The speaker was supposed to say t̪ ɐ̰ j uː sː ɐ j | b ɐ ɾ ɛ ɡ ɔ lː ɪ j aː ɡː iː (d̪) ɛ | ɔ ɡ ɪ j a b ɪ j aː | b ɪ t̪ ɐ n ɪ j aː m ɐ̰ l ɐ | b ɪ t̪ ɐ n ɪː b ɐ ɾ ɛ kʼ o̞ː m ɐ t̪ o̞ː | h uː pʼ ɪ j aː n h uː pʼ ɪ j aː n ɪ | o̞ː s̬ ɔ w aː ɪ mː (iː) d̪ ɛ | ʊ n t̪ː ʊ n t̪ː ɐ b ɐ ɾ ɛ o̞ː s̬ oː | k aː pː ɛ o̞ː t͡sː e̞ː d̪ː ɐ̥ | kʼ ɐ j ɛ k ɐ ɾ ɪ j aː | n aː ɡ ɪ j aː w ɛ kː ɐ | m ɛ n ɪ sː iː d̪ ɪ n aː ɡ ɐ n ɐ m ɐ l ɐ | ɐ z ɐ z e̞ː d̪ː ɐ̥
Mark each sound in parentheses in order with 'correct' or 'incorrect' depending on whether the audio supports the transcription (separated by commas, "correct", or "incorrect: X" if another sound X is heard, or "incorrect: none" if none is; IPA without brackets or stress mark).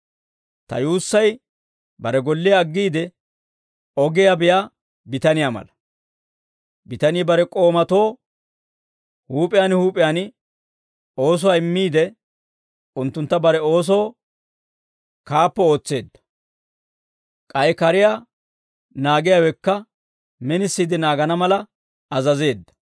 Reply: correct, correct